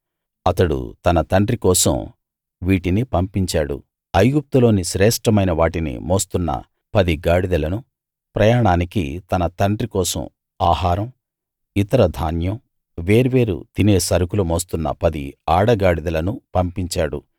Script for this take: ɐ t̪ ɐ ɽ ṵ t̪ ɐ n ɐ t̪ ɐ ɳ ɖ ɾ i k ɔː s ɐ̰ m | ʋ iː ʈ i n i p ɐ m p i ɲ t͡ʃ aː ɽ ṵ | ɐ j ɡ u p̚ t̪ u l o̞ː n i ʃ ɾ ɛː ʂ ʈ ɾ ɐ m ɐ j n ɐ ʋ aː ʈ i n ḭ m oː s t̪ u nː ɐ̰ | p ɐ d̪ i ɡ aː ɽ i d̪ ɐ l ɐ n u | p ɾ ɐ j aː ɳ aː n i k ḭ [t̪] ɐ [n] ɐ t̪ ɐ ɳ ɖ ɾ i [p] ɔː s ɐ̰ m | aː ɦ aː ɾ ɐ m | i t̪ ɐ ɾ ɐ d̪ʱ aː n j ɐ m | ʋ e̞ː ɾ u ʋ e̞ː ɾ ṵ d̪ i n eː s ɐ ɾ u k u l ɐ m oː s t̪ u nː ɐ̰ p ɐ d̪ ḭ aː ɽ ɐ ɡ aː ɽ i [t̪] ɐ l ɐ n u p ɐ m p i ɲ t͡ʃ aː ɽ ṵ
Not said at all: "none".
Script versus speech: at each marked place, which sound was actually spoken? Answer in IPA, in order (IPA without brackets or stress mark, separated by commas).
t̪, n, k, d̪